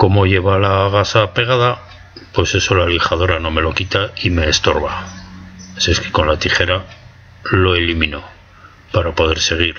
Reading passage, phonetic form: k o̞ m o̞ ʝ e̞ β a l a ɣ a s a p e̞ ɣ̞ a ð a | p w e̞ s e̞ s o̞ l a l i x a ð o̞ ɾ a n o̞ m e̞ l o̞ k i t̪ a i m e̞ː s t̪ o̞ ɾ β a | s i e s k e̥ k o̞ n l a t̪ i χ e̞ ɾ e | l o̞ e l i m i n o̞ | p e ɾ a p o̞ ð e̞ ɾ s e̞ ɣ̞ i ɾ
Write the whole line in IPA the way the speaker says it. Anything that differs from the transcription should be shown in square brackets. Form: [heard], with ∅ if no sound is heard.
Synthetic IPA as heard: k o̞ m o̞ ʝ e̞ β a l a ɣ a s a p e̞ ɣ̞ a ð a | p w e̞ s e̞ s o̞ l a l i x a ð o̞ ɾ a n o̞ m e̞ l o̞ k i t̪ a i m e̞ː s t̪ o̞ ɾ β a | s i e s k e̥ k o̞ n l a t̪ i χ e̞ ɾ [a] | l o̞ e l i m i n o̞ | p [a] ɾ a p o̞ ð e̞ ɾ s e̞ ɣ̞ i ɾ